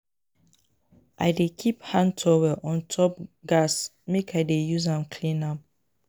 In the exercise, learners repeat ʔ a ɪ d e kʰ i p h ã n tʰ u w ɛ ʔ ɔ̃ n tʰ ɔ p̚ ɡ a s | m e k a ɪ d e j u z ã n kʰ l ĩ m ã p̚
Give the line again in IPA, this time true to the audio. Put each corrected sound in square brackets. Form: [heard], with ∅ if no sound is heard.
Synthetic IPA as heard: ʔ a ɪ d e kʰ i p h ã n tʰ [ɔ] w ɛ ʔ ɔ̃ n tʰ ɔ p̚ ɡ a s | m e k a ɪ d e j u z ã [m] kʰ l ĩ [n] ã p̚